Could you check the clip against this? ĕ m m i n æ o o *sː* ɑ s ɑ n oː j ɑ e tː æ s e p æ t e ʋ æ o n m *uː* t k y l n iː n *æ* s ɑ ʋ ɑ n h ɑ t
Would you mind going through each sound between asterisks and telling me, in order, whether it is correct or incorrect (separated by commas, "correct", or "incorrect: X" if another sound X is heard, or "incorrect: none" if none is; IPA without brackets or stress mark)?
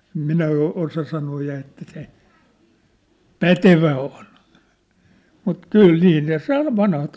incorrect: s, incorrect: u, incorrect: e